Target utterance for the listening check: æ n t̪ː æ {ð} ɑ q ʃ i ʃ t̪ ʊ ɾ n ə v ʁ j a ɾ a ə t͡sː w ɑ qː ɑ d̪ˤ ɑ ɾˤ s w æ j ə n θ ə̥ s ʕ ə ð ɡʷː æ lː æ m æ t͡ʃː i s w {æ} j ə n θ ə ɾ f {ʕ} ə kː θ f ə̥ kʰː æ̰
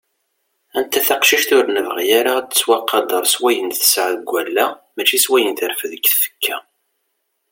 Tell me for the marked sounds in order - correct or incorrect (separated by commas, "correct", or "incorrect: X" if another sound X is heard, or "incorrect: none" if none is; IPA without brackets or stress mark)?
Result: incorrect: θ, correct, incorrect: ð